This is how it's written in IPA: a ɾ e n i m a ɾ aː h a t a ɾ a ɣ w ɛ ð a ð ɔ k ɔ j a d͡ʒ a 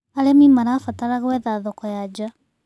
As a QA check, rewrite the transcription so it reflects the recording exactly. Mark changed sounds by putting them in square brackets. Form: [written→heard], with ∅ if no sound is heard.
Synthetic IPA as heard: a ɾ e [n→m] i m a ɾ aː [h→f] a t a ɾ a ɣ w ɛ ð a ð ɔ k ɔ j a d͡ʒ a